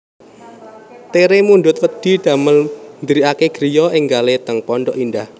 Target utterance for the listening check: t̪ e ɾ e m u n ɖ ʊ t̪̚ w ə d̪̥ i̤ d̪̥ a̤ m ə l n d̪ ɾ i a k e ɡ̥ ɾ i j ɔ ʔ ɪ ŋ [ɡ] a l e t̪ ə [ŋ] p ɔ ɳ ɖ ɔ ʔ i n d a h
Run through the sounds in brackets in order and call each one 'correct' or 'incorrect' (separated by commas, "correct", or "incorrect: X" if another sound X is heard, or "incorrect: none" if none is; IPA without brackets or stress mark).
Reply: correct, correct